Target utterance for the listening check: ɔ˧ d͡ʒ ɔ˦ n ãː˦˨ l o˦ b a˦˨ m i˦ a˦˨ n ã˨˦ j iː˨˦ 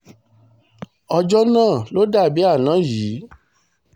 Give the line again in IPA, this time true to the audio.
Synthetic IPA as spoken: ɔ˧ d͡ʒ ɔ˦ n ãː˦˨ l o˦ d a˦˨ b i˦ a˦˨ n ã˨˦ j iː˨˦

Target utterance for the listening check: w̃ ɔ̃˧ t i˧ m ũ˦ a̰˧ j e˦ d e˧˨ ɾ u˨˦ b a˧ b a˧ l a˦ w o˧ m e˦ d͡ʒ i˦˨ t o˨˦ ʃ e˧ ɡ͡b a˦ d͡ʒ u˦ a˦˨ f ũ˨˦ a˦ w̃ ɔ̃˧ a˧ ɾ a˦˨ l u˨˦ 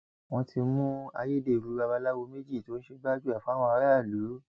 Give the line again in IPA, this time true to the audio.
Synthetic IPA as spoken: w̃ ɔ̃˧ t i˧ m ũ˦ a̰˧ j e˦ d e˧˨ ɾ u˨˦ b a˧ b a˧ l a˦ w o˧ m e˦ d͡ʒ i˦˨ t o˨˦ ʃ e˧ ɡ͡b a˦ d͡ʒ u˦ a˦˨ f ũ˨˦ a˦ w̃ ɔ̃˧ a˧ ɾ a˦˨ l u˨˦

